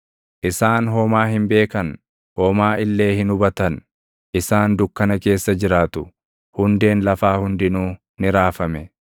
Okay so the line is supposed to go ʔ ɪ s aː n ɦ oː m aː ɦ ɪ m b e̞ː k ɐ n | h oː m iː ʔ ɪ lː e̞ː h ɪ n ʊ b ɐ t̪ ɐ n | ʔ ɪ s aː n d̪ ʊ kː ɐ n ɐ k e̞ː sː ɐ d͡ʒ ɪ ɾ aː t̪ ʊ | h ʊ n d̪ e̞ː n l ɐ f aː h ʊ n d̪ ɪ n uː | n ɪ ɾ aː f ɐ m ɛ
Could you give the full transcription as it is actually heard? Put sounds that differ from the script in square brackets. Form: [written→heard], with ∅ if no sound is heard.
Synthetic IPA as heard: ʔ ɪ s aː n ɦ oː m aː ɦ ɪ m b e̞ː k ɐ n | h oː m [iː→aː] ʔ ɪ lː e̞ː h ɪ n ʊ b ɐ t̪ ɐ n | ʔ ɪ s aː n d̪ ʊ kː ɐ n ɐ k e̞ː sː ɐ d͡ʒ ɪ ɾ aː t̪ ʊ | h ʊ n d̪ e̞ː n l ɐ f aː h ʊ n d̪ ɪ n uː | n ɪ ɾ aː f ɐ m ɛ